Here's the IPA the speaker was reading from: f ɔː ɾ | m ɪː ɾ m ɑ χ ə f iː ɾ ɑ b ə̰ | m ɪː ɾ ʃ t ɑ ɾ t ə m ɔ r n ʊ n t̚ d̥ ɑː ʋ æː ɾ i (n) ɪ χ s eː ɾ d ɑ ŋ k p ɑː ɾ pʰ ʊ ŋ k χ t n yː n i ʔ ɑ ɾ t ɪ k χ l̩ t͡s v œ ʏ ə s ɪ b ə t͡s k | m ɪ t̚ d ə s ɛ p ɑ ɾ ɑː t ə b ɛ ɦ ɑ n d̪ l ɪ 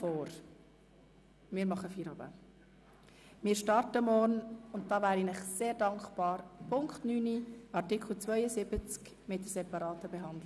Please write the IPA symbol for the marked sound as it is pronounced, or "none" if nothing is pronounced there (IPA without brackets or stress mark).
n